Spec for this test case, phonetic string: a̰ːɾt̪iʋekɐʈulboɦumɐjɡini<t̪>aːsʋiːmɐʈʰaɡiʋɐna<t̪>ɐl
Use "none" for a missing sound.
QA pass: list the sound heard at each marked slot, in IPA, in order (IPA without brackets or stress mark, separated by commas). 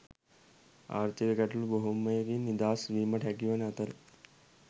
d̪, t̪